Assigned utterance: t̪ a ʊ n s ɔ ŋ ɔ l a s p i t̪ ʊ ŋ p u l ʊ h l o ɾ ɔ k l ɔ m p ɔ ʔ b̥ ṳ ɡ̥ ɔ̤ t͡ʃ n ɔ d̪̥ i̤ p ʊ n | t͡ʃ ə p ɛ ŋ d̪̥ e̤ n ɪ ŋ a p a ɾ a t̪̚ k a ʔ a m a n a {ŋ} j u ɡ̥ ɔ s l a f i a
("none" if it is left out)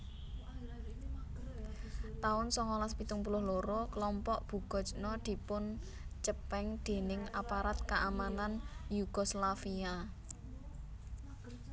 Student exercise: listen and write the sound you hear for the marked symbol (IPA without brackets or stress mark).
n